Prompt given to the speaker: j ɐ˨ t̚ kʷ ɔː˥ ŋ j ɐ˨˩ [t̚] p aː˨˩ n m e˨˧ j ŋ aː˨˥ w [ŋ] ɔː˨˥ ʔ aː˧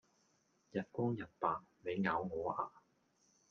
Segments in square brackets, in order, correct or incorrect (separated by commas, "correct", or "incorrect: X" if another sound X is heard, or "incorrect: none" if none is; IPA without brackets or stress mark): correct, correct